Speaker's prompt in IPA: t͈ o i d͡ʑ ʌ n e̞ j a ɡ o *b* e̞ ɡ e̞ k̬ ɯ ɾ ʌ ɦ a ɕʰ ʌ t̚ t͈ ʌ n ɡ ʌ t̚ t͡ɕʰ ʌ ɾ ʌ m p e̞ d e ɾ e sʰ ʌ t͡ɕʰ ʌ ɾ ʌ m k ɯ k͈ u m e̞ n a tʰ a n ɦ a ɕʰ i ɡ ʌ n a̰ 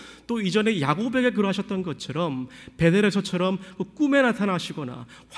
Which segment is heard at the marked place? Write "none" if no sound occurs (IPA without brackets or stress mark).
b